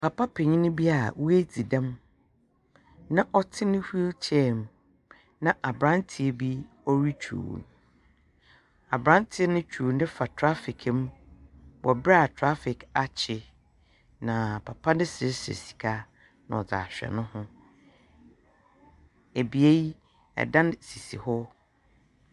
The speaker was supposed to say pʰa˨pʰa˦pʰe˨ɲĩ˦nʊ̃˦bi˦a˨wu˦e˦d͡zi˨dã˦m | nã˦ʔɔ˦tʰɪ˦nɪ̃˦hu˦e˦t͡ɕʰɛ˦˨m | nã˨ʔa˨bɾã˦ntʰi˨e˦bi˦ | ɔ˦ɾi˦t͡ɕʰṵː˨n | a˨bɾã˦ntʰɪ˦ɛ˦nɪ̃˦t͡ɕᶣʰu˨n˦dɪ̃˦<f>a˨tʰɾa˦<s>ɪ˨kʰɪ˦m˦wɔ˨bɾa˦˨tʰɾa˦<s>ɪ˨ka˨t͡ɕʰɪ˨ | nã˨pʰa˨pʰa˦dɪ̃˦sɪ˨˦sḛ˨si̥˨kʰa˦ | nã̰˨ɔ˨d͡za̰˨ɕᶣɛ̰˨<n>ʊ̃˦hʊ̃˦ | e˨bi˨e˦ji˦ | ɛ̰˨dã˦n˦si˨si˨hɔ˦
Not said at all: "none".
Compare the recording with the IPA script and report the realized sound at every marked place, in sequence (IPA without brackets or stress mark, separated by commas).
f, f, f, n